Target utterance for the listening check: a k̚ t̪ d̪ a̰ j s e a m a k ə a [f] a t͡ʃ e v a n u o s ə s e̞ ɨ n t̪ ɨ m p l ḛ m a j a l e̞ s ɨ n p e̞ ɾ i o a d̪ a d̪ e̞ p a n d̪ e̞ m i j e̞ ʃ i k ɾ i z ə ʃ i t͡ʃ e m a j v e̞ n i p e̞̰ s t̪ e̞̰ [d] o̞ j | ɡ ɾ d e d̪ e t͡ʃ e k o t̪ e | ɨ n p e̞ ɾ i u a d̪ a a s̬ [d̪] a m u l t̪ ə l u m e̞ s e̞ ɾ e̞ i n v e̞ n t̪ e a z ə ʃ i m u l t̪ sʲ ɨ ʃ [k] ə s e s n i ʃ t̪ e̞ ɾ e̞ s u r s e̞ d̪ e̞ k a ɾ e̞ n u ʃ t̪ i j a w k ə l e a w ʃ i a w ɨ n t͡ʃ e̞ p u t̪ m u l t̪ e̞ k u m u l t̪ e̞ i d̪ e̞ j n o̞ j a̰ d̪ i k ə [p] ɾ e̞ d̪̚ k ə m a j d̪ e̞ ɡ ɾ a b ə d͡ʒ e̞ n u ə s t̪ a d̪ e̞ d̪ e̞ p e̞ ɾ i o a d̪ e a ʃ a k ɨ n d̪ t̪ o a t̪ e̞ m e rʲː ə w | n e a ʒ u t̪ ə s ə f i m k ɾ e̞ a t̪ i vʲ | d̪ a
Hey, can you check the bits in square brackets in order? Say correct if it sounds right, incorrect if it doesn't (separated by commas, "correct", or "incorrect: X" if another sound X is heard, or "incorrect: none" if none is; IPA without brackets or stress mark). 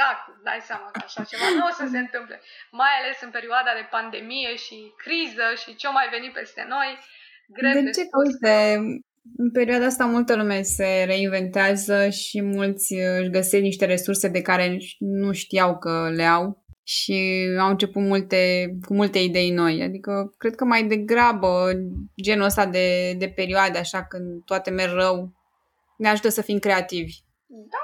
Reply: incorrect: ʃ, incorrect: n, incorrect: t̪, incorrect: ɡ, incorrect: k